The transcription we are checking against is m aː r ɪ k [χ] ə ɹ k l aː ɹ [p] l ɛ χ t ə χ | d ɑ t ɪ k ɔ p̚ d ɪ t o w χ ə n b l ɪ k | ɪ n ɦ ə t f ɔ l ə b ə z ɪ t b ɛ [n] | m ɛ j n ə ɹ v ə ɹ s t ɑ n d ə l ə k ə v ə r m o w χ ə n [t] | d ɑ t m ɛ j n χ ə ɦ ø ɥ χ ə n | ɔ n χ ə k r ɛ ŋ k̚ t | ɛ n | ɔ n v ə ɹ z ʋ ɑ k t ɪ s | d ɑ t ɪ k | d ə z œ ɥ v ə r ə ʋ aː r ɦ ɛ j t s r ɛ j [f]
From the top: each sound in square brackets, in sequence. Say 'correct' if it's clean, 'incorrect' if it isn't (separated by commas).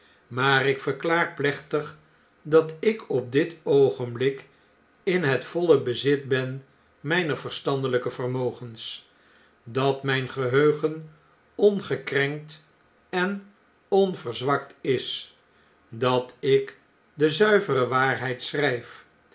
incorrect, correct, correct, incorrect, correct